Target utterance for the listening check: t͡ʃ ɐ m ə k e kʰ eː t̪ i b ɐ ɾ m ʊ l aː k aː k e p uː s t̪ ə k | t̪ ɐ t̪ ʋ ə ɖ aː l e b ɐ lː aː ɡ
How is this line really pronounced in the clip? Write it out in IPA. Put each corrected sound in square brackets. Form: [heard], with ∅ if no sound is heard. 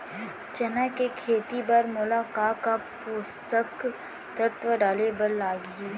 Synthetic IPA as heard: t͡ʃ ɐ [n] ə k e kʰ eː t̪ i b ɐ ɾ m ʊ l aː k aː k [a] p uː s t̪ ə k | t̪ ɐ t̪ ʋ ə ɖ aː l e b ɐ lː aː ɡ